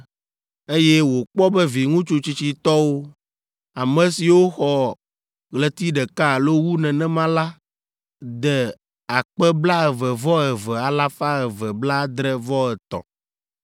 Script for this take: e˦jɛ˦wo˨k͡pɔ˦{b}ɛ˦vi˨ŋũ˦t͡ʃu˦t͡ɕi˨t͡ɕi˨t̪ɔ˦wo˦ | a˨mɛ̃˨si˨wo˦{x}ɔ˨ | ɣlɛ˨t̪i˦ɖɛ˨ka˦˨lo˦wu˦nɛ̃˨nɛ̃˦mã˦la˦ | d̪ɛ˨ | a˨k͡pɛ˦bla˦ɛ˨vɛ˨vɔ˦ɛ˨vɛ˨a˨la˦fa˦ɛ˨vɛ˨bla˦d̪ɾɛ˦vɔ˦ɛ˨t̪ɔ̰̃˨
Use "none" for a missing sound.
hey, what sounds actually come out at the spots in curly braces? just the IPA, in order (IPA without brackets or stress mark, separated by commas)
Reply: b, x